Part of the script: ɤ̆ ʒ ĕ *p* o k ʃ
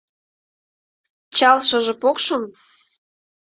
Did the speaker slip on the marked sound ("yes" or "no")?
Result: no